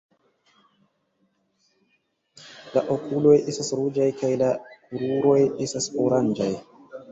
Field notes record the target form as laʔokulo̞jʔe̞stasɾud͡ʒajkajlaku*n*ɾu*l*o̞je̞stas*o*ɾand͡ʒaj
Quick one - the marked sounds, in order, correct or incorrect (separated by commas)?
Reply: incorrect, incorrect, correct